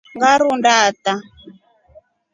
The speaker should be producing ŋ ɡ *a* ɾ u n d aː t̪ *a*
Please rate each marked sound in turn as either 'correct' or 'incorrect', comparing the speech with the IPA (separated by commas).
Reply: correct, correct